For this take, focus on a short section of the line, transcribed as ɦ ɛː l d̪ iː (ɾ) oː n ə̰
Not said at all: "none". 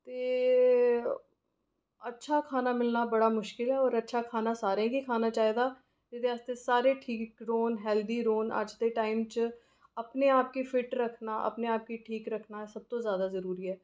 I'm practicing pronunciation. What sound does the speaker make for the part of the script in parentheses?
ɾ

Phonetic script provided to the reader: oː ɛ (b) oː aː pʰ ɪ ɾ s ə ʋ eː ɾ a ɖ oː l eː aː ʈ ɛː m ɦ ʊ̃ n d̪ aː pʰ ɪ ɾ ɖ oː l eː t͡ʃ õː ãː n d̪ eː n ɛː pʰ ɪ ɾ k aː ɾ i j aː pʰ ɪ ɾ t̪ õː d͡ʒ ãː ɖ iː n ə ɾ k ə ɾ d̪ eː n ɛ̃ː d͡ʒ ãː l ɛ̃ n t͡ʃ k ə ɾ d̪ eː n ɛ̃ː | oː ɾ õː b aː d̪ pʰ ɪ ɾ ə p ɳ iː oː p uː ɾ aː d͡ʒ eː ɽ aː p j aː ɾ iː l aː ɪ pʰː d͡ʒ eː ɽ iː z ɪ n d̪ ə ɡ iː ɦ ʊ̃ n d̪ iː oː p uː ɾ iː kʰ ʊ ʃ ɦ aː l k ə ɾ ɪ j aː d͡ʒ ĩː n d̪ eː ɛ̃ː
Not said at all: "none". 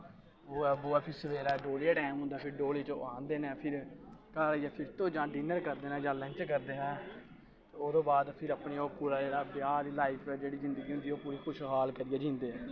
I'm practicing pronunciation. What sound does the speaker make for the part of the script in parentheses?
b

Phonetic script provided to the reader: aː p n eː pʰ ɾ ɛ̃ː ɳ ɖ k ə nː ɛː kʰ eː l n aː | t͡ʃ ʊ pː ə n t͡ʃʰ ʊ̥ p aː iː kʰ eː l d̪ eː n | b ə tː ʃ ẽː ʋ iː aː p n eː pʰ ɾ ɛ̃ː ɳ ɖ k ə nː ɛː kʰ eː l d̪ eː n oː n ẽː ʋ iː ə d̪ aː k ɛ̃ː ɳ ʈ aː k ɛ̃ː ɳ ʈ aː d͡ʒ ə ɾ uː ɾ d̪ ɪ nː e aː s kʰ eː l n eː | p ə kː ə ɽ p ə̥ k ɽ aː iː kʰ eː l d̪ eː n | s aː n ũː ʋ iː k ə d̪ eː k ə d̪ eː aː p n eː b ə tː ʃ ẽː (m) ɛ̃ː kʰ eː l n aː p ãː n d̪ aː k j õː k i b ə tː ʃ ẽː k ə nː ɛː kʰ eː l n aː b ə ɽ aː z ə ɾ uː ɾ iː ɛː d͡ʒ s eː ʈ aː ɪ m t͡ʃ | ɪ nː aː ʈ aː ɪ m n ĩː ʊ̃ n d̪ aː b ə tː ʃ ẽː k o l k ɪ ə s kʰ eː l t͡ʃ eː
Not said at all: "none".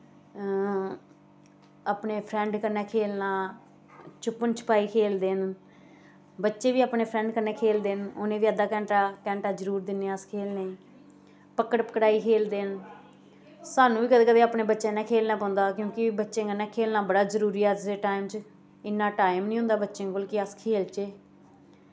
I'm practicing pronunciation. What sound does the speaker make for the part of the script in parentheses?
n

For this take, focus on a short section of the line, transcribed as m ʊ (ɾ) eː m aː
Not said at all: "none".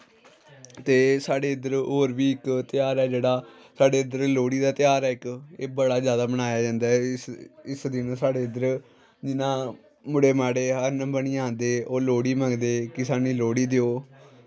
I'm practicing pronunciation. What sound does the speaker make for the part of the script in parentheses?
ɽ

